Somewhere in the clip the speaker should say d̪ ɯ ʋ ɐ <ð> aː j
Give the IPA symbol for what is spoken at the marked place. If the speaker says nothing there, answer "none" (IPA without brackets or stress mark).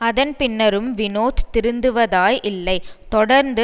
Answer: ð